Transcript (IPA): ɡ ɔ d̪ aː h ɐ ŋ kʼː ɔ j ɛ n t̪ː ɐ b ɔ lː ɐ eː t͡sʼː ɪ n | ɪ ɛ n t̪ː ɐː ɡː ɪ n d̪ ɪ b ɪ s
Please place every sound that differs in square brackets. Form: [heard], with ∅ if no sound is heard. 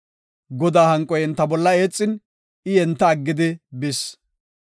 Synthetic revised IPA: ɡ ɔ d̪ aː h ɐ ŋ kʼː ɔ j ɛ n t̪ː ɐ b ɔ lː ɐ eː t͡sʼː ɪ n | ɪ ɛ n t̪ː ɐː ɡː ɪ [∅] d̪ ɪ b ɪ s